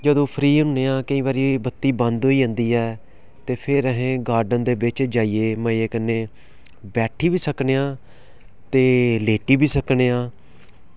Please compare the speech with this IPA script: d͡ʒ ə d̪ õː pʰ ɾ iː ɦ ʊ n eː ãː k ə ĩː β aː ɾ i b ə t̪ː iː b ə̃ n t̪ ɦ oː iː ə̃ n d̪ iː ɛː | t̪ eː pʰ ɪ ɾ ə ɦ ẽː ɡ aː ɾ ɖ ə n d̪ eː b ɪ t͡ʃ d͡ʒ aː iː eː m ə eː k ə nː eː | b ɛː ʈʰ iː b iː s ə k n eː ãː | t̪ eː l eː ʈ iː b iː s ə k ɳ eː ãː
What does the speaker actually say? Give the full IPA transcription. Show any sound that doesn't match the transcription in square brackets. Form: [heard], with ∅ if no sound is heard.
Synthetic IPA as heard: d͡ʒ ə d̪ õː pʰ ɾ iː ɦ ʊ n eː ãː k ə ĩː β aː ɾ i b ə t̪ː iː b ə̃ n [d̪] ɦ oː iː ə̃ n d̪ iː ɛː | t̪ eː pʰ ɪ ɾ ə ɦ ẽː ɡ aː ɾ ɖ ə n d̪ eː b ɪ t͡ʃ d͡ʒ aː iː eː m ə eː k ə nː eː | b ɛː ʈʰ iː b iː s ə k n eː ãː | t̪ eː l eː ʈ iː b iː s ə k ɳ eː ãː